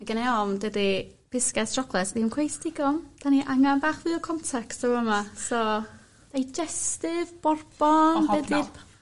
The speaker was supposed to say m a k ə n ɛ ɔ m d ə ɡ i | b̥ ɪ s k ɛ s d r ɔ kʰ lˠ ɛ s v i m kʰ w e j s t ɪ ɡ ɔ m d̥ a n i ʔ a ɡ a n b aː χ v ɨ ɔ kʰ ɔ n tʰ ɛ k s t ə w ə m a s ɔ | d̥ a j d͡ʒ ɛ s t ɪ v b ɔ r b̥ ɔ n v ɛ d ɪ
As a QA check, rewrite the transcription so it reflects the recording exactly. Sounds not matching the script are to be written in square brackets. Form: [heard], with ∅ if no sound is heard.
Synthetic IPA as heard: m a [ɡ] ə n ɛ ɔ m d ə [d] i | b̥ ɪ s k ɛ s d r ɔ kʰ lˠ ɛ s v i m kʰ w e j s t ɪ ɡ ɔ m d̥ a n i ʔ a [ŋ] a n b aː χ v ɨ ɔ kʰ ɔ n tʰ ɛ k s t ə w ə m a s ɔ | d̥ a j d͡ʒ ɛ s t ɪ v b ɔ r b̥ ɔ n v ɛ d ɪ